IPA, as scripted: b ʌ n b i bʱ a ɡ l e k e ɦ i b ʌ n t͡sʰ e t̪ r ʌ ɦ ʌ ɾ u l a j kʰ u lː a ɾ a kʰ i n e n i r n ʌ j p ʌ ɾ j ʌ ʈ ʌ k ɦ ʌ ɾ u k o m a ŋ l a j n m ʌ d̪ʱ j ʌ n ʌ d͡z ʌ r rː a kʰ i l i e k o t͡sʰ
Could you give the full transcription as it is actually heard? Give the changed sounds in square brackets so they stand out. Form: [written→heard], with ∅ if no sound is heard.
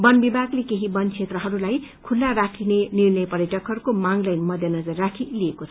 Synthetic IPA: b ʌ n b i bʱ a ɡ l e k e ɦ i b ʌ n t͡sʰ e t̪ r ʌ ɦ ʌ ɾ u l a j kʰ u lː a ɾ a kʰ i n e n i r n ʌ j p ʌ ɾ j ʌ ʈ ʌ k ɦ ʌ ɾ u k o m a ŋ l a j n m ʌ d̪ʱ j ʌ n ʌ d͡z ʌ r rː a kʰ i l i e k o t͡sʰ